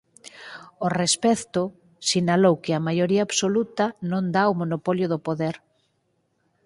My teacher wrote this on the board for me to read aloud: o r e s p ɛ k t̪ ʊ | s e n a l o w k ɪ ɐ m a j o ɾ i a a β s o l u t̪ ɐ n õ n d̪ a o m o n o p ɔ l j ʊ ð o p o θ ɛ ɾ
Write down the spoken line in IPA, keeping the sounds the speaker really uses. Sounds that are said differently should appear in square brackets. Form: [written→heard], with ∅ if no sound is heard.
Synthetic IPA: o r e s p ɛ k t̪ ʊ | s [e→i] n a l o w k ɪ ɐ m a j o ɾ i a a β s o l u t̪ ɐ n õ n d̪ a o m o n o p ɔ l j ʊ ð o p o [θ→ð] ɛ ɾ